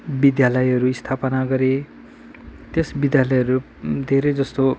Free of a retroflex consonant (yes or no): yes